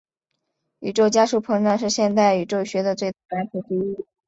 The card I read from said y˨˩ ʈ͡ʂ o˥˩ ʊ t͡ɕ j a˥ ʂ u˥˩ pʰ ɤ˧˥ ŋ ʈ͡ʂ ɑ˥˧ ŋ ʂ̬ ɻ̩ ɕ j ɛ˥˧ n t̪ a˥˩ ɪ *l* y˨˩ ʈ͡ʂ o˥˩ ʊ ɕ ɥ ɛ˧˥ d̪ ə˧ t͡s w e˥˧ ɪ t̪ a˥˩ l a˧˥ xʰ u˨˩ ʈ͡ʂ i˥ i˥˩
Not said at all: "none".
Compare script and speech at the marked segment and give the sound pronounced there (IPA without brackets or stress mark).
none